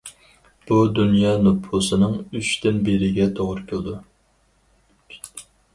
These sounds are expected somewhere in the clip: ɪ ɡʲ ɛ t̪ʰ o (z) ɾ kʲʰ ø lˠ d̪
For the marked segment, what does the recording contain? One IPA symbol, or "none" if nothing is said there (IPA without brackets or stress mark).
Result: ʁ